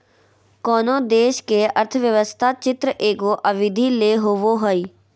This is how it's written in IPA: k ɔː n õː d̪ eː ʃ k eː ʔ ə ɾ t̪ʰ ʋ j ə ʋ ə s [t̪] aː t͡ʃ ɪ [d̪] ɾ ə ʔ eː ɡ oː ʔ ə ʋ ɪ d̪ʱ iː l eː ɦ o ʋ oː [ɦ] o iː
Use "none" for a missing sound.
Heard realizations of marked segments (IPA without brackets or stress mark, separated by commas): t̪ʰ, t̪, ɦ